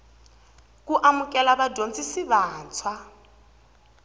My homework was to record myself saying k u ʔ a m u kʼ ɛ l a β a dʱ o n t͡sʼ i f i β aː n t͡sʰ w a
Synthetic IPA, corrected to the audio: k u ʔ a m u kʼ ɛ l a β a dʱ o n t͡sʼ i s i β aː n t͡sʰ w a

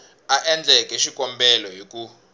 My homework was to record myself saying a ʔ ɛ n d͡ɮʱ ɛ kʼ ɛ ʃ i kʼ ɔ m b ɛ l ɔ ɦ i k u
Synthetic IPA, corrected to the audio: a ʔ ɛ n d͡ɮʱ ɛ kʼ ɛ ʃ i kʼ ɔ m b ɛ l ɔ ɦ i k u

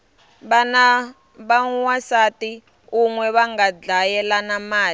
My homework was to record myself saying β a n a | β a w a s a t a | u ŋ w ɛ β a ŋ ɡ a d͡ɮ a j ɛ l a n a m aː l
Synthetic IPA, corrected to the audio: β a n a | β a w a s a t i | u ŋ w ɛ β a ŋ ɡ a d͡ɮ a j ɛ l a n a m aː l

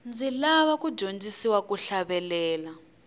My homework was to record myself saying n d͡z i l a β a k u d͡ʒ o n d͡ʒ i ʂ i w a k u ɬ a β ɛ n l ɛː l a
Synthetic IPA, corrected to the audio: n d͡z i l a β a k u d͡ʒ o n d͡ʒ i s i w a k u ɬ a β ɛ l ɛː l a

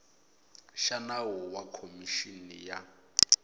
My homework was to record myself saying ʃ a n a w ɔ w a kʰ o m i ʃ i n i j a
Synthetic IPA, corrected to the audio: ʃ a n a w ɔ w a kʰ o m i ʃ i n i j a

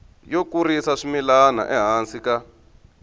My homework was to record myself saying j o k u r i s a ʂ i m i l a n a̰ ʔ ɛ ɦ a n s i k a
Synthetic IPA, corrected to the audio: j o k u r i s a ʂ i m i l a n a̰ ʔ ɛ ɦ a n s i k a

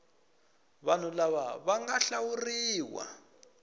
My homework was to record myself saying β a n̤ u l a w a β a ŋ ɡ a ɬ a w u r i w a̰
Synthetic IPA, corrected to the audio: β a n̤ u l a β a β a ŋ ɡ a ɬ a w u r iː w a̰

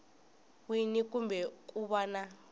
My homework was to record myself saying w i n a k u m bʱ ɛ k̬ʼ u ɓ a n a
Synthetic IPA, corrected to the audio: w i n i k u m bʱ ɛ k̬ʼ u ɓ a n a

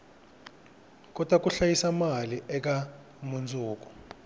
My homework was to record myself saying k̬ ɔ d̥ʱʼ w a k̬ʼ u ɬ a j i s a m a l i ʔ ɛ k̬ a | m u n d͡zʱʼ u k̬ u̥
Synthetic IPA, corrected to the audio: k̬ ɔ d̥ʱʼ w a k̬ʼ u ɬ a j i s a m a l i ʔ ɛ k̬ a | m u n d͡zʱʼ uː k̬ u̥

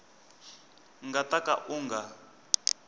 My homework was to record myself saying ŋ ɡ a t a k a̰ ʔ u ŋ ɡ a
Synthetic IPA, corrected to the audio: ŋ ɡ a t a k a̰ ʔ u ŋ ɡ a

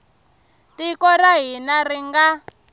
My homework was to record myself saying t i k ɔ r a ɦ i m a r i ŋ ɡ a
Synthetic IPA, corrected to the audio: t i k ɔ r a ɦ i n a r i ŋ ɡ a

